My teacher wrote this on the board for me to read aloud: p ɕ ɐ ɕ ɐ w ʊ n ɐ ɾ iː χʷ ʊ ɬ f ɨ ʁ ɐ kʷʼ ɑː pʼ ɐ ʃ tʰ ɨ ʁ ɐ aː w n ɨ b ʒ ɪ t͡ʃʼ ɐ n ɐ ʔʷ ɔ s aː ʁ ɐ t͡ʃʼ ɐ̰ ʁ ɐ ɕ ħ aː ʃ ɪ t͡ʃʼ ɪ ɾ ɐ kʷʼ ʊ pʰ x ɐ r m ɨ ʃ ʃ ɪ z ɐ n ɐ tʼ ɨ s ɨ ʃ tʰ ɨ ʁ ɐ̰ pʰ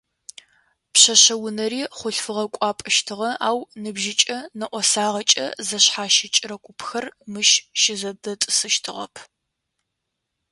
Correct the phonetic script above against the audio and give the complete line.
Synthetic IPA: p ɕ ɐ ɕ ɐ w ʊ n ɐ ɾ iː χʷ ʊ ɬ f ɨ ʁ ɐ kʷʼ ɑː pʼ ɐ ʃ tʰ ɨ ʁ ɐ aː w n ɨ b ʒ ɪ t͡ʃʼ ɐ n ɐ ʔʷ ɔ s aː ʁ ɐ t͡ʃʼ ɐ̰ z ɐ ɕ ħ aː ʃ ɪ t͡ʃʼ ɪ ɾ ɐ kʷʼ ʊ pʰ x ɐ r m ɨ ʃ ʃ ɪ z ɐ d ɐ tʼ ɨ s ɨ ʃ tʰ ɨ ʁ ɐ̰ pʰ